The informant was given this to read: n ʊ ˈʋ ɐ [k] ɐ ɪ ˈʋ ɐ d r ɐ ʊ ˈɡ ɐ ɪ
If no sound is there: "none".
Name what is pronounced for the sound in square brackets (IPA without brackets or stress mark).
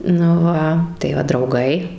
t